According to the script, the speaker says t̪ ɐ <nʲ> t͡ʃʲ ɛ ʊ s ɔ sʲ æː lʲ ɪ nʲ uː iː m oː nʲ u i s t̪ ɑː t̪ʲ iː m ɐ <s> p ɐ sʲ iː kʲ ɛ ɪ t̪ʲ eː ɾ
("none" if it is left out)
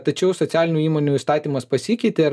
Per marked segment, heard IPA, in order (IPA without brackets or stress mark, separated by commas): none, s